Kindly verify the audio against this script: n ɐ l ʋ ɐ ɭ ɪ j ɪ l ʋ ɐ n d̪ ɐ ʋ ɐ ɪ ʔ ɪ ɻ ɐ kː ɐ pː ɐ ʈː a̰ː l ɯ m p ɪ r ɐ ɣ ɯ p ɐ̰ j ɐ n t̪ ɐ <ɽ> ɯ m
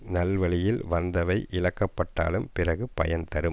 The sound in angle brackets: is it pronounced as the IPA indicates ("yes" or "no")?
no